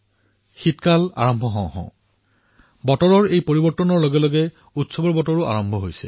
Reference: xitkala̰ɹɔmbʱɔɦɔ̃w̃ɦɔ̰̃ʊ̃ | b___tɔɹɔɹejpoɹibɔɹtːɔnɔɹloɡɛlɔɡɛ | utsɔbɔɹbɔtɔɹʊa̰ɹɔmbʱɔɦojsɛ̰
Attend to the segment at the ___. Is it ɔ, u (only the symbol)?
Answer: ɔ